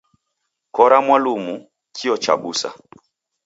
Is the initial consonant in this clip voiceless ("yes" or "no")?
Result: yes